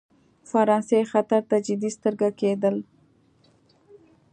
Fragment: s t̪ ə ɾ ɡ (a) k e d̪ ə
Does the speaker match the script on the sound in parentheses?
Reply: yes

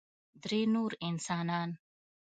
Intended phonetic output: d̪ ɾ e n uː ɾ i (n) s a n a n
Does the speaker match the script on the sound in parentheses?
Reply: yes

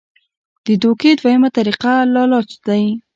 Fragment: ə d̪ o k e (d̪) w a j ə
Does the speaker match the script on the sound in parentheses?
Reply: yes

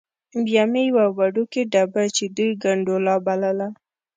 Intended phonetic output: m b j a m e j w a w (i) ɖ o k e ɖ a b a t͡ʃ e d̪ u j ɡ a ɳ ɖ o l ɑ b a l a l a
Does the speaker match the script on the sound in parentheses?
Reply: no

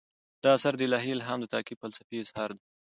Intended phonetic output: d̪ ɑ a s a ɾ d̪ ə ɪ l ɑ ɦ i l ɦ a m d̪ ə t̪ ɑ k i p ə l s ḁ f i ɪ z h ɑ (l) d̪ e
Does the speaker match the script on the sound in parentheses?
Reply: no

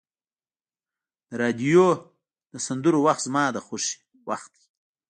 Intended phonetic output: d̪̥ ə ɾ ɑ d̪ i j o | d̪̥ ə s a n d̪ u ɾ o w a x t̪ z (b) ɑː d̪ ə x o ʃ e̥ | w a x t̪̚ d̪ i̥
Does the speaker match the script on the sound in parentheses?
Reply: no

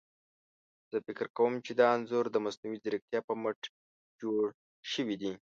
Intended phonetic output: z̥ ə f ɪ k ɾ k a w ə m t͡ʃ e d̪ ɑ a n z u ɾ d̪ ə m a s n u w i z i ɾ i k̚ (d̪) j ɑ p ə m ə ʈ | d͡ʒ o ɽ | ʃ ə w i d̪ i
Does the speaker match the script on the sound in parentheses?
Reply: no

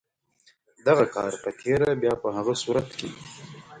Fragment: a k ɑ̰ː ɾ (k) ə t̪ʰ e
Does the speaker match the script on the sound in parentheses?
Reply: no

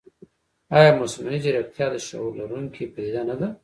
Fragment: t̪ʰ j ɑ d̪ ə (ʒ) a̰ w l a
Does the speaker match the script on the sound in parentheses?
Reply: no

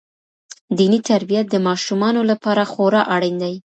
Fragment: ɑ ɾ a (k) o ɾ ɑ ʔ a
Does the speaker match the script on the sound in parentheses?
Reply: no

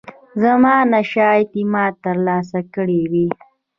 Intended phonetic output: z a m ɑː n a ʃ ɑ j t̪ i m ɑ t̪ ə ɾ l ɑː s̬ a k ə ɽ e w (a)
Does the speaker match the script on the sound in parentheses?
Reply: no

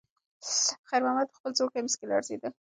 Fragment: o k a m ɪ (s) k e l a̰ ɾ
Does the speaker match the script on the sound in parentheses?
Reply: yes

